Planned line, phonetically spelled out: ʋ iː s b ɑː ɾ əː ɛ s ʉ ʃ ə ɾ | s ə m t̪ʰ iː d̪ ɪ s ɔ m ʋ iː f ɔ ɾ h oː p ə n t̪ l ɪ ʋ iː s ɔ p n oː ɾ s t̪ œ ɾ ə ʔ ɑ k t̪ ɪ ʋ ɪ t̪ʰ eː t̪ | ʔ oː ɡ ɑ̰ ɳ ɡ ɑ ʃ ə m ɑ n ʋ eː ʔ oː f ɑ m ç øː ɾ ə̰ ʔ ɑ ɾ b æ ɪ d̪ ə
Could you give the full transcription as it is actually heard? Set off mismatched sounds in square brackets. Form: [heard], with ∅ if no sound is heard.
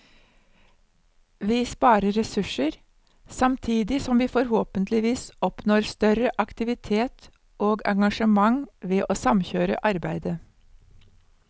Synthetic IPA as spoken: ʋ iː s [p] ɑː ɾ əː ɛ s ʉ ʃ ə ɾ | s [ɑ] m t̪ʰ iː d̪ ɪ s ɔ m ʋ iː f ɔ ɾ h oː p ə n t̪ l ɪ ʋ iː s ɔ p n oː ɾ s t̪ œ ɾ ə ʔ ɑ k t̪ ɪ ʋ ɪ t̪ʰ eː t̪ | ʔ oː ɡ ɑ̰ [ŋ] ɡ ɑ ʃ ə m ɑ [ŋ] ʋ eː ʔ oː [s] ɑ m ç øː ɾ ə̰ ʔ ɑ ɾ b æ ɪ d̪ ə

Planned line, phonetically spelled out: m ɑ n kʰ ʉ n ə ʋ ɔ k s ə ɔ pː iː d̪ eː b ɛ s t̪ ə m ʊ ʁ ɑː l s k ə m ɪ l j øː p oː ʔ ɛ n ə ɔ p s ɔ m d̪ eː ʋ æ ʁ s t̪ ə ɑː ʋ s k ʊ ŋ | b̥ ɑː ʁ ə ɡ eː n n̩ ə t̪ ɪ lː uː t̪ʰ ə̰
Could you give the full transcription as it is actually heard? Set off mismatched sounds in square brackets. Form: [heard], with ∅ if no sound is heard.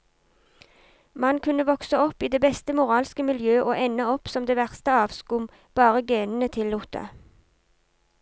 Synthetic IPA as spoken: m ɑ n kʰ ʉ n ə ʋ ɔ k s ə ɔ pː iː d̪ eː b ɛ s t̪ ə m ʊ ʁ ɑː l s k ə m ɪ l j øː [ʔ] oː ʔ ɛ n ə ɔ p s ɔ m d̪ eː ʋ æ ʁ s t̪ ə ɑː ʋ s k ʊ [m] | b̥ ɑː ʁ ə ɡ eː n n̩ ə [t̪ʰ] ɪ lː uː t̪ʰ ə̰

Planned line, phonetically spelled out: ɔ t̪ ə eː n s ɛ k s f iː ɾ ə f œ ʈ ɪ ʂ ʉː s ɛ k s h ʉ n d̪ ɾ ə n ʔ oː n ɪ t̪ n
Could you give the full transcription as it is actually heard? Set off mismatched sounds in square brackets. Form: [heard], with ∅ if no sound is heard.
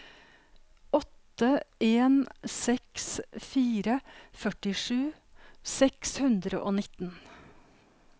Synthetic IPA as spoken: ɔ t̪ ə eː n s ɛ k s f iː ɾ ə f œ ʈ ɪ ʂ ʉː s ɛ k s h ʉ n d̪ ɾ ə [∅] ʔ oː n ɪ t̪ n

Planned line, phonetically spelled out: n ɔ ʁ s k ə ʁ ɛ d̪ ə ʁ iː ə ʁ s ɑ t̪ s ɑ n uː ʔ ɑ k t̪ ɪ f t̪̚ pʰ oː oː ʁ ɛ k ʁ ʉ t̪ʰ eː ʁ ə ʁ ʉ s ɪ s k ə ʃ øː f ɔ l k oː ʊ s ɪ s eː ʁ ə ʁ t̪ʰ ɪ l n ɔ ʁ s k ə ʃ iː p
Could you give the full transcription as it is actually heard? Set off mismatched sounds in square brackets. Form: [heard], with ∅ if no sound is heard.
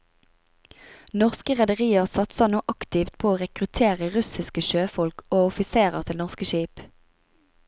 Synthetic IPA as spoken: n ɔ ʁ s k ə ʁ ɛ d̪ ə ʁ iː ə ʁ s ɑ t̪ s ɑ n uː ʔ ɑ k t̪ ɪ f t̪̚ pʰ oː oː ʁ ɛ k ʁ ʉ t̪ʰ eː ʁ ə ʁ ʉ s ɪ s k ə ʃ øː f ɔ l k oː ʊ [f] ɪ s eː ʁ ə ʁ t̪ʰ ɪ l n ɔ ʁ s k ə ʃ iː p

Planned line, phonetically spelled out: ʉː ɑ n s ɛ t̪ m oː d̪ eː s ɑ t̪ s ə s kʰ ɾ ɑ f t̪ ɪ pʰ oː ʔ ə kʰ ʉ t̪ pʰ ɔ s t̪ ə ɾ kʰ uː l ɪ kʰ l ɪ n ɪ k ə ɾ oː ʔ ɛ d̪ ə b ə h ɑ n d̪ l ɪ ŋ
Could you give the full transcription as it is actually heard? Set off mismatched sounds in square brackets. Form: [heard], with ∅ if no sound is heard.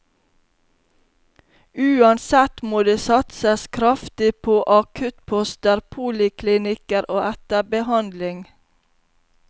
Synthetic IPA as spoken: ʉː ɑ n s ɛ t̪ m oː d̪ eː s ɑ t̪ s ə s kʰ ɾ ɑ f t̪ ɪ pʰ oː ʔ [ɑ] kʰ ʉ t̪ pʰ ɔ s t̪ ə ɾ [pʰ] uː l ɪ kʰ l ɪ n ɪ k ə ɾ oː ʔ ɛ [t̪] ə b ə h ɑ n d̪ l ɪ ŋ

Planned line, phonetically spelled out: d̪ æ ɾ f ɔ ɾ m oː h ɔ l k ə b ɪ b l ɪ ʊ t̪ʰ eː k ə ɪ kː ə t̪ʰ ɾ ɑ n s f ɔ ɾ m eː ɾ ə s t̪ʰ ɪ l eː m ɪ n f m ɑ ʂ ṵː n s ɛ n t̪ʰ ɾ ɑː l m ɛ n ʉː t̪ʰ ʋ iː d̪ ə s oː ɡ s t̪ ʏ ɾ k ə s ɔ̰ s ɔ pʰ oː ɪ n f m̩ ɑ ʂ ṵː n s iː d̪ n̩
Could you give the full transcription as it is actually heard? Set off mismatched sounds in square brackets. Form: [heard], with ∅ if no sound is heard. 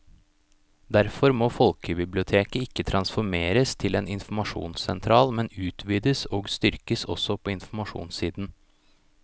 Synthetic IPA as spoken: d̪ æ ɾ f ɔ ɾ m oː [f] ɔ l k ə b ɪ b l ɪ ʊ t̪ʰ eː k ə ɪ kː ə t̪ʰ ɾ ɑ n s f ɔ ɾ m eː ɾ ə s t̪ʰ ɪ l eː [n] ɪ n f m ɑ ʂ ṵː n s ɛ n t̪ʰ ɾ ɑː l m ɛ n ʉː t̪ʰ ʋ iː d̪ ə s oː ɡ s t̪ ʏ ɾ k ə s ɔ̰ s ɔ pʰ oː ɪ n f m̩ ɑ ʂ ṵː n s iː d̪ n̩

